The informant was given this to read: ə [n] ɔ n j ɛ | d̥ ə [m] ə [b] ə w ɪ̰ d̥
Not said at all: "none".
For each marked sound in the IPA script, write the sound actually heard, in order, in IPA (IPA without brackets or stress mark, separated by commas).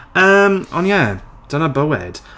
m, n, b